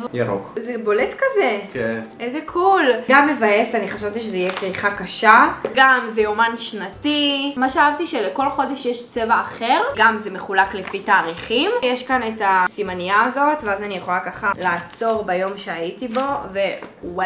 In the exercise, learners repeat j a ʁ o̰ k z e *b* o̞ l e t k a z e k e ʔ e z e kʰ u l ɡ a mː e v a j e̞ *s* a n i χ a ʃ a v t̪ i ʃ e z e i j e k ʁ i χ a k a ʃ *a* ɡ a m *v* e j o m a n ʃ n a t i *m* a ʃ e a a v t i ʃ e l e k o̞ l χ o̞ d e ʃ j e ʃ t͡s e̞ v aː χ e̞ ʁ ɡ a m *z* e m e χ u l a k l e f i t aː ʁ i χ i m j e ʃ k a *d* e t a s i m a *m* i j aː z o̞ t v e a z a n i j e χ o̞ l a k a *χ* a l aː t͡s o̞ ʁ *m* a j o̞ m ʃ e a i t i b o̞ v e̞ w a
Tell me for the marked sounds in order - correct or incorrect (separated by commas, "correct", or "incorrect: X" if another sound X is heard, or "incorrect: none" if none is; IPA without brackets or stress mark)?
correct, correct, correct, incorrect: z, correct, correct, incorrect: n, incorrect: n, correct, incorrect: b